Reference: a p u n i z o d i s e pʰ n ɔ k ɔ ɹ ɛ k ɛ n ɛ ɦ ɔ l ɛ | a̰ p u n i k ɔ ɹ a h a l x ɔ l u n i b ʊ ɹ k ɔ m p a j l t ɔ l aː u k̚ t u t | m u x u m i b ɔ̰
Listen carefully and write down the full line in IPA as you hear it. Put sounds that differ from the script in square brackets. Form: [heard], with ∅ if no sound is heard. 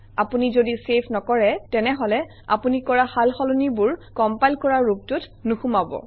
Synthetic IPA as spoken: a p u n i z o d i s e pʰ n ɔ k ɔ ɹ ɛ [t] ɛ n ɛ ɦ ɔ l ɛ | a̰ p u n i k ɔ ɹ a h a l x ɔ l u n i b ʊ ɹ k ɔ m p a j l [k] ɔ [ɹ] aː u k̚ t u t | [n] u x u m [a] b ɔ̰